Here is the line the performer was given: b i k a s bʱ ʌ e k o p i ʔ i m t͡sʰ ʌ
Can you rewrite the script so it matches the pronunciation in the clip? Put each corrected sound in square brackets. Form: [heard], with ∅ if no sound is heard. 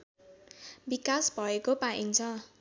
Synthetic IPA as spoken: b i k a s bʱ ʌ e k o p [a] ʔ i [ŋ] t͡sʰ ʌ